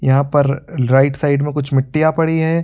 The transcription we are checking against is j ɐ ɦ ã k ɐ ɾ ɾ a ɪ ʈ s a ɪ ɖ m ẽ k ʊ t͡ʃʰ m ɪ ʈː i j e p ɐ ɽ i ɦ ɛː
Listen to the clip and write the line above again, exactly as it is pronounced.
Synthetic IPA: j ɐ ɦ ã p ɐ ɾ ɾ a ɪ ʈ s a ɪ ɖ m ẽ k ʊ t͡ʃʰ m ɪ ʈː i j a p ɐ ɽ i ɦ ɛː